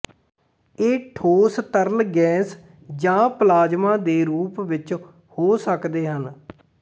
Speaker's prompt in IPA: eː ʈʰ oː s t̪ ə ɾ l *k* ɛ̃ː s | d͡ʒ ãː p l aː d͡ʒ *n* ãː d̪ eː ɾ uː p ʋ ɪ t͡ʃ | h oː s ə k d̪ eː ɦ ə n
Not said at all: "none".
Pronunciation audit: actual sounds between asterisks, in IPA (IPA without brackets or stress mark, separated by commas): ɡ, m